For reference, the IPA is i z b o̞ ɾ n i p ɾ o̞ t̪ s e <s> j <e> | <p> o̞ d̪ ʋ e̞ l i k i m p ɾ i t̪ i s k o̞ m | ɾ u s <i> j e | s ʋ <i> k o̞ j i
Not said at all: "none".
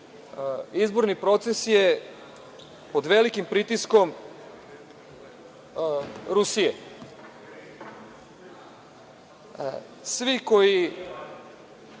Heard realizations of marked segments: s, e, p, i, i

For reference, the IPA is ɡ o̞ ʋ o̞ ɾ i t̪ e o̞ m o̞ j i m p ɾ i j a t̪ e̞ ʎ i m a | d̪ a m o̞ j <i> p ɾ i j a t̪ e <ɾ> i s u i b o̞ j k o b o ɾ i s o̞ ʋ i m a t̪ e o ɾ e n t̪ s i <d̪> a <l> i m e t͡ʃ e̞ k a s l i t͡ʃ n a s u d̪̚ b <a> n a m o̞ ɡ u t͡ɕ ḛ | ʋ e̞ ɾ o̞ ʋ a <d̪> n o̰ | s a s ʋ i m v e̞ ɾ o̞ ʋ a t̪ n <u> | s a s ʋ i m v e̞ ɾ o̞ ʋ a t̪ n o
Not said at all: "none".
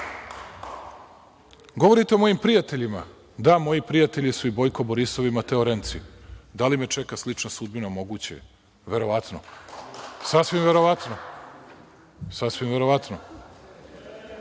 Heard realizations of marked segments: i, ʎ, d̪, l, i, t̪, o

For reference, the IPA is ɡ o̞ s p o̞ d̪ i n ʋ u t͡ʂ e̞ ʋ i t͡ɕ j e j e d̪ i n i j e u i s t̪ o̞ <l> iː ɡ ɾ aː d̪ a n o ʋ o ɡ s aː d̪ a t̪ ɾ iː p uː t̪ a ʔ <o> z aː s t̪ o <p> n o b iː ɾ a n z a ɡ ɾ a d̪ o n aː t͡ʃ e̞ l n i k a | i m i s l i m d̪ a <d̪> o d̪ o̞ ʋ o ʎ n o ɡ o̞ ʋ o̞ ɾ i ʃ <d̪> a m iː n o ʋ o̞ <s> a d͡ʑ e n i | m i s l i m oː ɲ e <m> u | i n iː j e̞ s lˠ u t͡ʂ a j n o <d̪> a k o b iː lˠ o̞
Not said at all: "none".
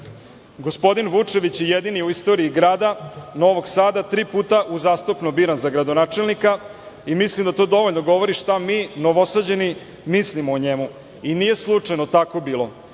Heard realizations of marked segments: ɾ, u, p, t̪, t̪, s, m, t̪

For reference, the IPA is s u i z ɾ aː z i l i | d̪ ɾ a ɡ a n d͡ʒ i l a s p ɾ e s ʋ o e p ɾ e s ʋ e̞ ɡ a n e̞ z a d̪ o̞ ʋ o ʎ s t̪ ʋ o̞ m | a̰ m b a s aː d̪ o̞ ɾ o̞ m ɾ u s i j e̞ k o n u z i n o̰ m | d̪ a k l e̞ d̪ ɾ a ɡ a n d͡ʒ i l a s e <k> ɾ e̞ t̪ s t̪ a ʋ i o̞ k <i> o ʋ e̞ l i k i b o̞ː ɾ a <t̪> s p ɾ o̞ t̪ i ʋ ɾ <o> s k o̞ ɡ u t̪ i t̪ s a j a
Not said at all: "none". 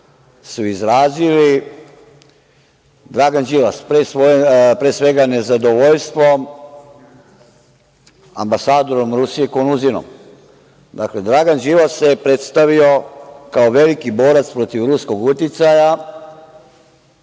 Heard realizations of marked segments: p, a, t̪, u

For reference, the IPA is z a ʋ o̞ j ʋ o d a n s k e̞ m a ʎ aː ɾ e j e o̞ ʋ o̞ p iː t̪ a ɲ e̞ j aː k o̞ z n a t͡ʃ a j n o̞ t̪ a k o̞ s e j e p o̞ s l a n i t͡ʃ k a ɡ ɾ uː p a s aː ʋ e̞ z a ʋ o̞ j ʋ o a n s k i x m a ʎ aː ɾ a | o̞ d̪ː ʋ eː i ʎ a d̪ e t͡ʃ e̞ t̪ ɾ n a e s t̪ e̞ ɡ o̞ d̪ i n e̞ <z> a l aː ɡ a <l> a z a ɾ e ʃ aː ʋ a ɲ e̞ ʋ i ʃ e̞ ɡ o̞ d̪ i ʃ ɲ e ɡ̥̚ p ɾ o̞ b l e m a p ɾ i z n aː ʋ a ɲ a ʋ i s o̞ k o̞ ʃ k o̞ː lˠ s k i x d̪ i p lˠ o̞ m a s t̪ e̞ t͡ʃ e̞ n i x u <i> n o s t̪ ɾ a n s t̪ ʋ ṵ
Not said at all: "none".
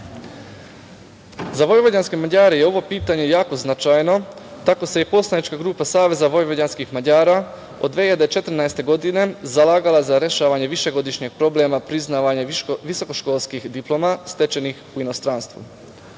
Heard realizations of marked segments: z, l, i

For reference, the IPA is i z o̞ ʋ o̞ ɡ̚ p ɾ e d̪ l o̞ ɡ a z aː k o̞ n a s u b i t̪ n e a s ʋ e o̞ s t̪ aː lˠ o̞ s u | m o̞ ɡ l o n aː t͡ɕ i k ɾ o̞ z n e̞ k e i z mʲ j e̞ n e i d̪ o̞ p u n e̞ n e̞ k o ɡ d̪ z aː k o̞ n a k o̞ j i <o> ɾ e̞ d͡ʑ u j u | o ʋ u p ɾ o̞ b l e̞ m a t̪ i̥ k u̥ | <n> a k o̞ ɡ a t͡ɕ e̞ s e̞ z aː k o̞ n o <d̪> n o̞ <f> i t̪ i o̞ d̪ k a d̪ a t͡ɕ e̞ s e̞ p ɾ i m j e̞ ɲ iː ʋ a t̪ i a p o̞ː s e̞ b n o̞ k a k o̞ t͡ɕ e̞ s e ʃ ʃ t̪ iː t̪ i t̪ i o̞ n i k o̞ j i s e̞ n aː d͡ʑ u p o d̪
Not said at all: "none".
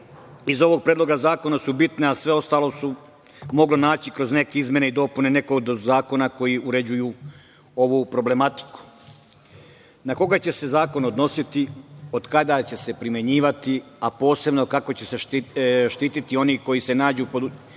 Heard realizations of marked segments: u, n, d̪, s

